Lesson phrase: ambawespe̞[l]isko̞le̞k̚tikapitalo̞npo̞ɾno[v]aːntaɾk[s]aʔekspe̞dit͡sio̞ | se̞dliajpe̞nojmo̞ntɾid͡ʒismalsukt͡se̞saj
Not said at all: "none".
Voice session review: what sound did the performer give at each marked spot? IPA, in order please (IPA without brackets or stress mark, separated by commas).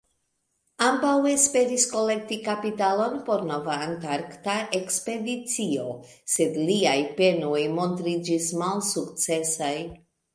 ɾ, v, t